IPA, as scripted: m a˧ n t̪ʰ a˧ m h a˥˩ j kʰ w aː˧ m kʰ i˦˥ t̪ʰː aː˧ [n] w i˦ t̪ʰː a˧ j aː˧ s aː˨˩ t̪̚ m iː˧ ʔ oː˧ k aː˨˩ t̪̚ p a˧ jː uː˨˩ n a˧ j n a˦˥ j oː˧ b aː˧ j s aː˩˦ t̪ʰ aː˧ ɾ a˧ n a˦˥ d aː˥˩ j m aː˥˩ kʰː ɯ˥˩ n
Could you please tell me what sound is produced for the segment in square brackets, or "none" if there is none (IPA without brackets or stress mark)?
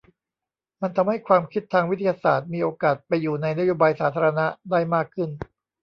ŋ